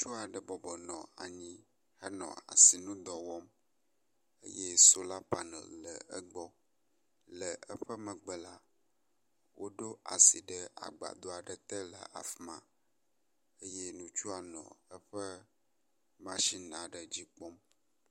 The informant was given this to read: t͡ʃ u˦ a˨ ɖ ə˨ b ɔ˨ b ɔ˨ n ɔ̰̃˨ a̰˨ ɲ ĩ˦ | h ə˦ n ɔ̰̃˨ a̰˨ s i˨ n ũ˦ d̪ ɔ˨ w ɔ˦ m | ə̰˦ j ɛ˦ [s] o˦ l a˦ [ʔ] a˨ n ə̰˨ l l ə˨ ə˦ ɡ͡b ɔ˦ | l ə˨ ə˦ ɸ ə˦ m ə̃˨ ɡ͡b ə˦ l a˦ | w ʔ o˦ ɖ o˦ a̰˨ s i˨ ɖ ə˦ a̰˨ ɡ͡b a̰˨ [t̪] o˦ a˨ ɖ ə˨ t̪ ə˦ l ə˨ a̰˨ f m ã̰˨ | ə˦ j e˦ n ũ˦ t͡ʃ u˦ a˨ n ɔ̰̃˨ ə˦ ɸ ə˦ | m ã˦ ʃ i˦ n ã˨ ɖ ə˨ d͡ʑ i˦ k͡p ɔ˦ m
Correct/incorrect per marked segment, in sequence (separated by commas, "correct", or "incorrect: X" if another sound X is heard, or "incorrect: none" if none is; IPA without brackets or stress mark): correct, incorrect: p, incorrect: d̪